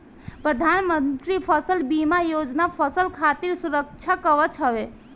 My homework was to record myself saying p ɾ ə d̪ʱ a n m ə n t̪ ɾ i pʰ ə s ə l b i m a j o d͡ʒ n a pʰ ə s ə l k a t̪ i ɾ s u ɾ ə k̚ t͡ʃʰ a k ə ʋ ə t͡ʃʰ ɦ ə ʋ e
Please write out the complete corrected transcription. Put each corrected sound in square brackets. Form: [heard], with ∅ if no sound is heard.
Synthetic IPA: p ɾ ə d̪ʱ a n m ə n t̪ ɾ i pʰ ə s ə l b i m a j o d͡ʒ n a pʰ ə s ə l [kʰ] a t̪ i ɾ s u ɾ ə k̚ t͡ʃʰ a k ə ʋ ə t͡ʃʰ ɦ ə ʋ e